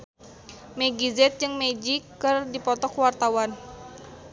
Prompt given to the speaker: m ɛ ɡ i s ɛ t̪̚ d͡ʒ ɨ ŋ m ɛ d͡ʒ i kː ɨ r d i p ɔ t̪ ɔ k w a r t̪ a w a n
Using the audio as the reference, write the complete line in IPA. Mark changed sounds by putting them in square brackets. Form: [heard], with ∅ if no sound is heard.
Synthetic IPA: m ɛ ɡ i [z] ɛ t̪̚ d͡ʒ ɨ ŋ m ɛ d͡ʒ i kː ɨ r d i p ɔ t̪ ɔ k w a r t̪ a w a n

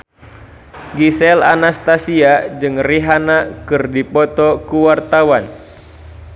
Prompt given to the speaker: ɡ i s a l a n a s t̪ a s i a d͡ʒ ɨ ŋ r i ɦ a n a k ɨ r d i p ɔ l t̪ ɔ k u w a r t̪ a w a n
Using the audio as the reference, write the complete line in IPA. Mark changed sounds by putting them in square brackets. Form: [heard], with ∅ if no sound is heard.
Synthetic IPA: ɡ i s [ɛ] l a n a s t̪ a s i a d͡ʒ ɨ ŋ r i ɦ a n a k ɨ r d i p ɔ [∅] t̪ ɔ k u w a r t̪ a w a n

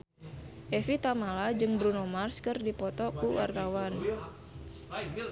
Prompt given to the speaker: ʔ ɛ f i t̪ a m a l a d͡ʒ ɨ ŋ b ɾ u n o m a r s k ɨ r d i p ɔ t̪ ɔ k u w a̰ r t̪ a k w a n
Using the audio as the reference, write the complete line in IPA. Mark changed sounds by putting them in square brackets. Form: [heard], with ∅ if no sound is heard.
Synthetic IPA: ʔ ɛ f i t̪ a m a l a d͡ʒ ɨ ŋ b ɾ u n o m a r s k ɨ r d i p ɔ t̪ ɔ k u w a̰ r t̪ a [∅] w a n

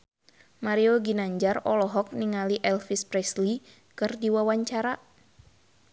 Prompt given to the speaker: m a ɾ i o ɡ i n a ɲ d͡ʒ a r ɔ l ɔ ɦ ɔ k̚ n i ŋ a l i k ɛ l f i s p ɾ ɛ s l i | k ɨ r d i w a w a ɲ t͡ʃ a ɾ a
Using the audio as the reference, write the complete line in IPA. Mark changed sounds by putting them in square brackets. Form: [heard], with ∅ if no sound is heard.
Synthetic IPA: m a ɾ i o ɡ i n a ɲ d͡ʒ a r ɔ l ɔ ɦ ɔ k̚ n i ŋ a l i [ʔ] ɛ l f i s p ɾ ɛ s l i | k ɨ r d i w a w a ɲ t͡ʃ a ɾ a

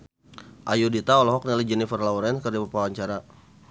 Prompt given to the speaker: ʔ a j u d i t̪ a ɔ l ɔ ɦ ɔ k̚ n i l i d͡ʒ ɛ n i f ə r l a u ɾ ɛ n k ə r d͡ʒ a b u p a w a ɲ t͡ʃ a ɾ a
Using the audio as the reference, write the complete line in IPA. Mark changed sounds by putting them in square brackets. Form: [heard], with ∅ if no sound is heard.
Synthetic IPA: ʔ a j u d i t̪ a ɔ l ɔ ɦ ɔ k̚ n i l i d͡ʒ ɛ n i f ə r l a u ɾ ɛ n k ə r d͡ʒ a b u p a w a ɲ t͡ʃ a ɾ a

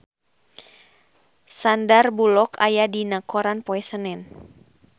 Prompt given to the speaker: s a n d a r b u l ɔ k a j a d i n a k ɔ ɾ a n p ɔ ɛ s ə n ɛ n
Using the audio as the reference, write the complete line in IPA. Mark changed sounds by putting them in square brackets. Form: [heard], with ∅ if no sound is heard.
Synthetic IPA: s a n d a r b u l ɔ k a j a d i n a k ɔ ɾ a n p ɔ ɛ s ə n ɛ n

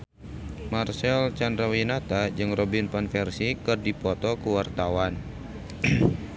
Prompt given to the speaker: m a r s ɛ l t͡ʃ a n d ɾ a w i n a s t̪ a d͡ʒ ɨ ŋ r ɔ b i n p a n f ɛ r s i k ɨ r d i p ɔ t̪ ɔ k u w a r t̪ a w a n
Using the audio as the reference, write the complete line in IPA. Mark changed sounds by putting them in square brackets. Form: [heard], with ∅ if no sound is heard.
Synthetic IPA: m a r s ɛ l t͡ʃ a n d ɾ a w i n a [∅] t̪ a d͡ʒ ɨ ŋ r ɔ b i n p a n f ɛ r s i k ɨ r d i p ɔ t̪ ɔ k u w a r t̪ a w a n

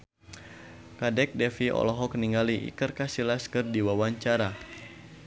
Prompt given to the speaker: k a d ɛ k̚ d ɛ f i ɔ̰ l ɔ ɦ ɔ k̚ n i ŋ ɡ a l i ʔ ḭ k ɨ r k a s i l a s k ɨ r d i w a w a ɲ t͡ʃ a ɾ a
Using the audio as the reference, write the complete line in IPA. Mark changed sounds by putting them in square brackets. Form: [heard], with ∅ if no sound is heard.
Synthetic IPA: k a d ɛ k̚ d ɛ f i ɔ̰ l ɔ ɦ ɔ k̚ n i ŋ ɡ a l i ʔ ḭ k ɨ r k a s i l a s k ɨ r d i w a w a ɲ t͡ʃ a ɾ a

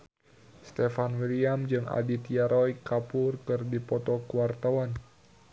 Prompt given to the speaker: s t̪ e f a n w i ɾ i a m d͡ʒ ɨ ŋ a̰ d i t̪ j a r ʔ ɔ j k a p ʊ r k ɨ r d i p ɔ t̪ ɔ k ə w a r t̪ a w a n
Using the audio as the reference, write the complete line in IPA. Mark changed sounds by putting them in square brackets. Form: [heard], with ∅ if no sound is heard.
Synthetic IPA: s t̪ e f a n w i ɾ i a m d͡ʒ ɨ ŋ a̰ d i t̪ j a [ɾ] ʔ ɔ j k a p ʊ r k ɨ r d i p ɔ t̪ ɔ k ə w a r t̪ a w a n

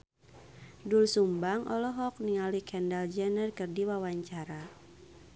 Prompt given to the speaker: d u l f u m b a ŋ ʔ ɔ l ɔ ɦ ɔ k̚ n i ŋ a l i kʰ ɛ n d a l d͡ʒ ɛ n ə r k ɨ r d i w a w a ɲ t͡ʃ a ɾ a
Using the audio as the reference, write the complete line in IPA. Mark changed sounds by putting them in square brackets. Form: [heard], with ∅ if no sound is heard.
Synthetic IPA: d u l [s] u m b a ŋ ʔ ɔ l ɔ ɦ ɔ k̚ n i ŋ a l i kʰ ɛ n d a l d͡ʒ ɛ n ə r k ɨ r d i w a w a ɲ t͡ʃ a ɾ a

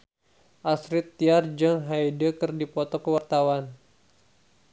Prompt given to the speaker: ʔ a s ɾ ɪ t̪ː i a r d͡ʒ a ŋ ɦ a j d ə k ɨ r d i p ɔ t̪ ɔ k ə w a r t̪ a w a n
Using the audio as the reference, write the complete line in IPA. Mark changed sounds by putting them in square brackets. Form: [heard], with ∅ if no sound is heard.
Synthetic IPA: ʔ a s ɾ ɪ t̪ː i a r d͡ʒ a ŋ ɦ a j d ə k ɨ r d i p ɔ t̪ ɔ k ə w a r t̪ a w a n

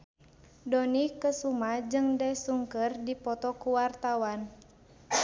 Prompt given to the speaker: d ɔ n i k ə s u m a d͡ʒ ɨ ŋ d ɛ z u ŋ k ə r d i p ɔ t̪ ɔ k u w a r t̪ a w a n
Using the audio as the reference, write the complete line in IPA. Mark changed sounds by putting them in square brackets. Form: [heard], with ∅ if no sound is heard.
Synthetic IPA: d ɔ n i k ə s u m a d͡ʒ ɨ ŋ d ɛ [s] u ŋ k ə r d i p ɔ t̪ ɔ k u w a r t̪ a w a n

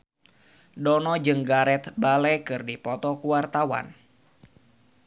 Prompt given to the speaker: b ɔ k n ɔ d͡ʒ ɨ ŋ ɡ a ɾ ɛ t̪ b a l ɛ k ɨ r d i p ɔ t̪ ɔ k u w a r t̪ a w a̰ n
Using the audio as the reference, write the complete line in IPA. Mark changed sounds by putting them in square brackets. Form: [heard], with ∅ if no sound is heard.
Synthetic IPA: [d] ɔ [∅] n ɔ d͡ʒ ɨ ŋ ɡ a ɾ ɛ t̪ b a l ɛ k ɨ r d i p ɔ t̪ ɔ k u w a r t̪ a w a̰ n

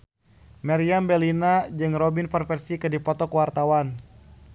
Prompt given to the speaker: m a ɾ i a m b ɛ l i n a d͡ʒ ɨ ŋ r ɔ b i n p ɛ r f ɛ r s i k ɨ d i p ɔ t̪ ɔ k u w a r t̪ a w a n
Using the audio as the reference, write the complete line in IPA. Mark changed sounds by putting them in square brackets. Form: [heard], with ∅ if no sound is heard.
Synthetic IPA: m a ɾ i a m b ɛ l i n a d͡ʒ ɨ ŋ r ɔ b i n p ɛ r f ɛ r s i k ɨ d i p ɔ t̪ ɔ k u w a r t̪ a w a n

